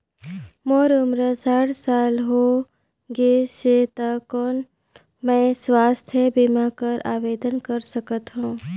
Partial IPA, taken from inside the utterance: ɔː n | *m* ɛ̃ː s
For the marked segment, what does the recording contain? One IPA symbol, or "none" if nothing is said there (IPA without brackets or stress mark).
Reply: m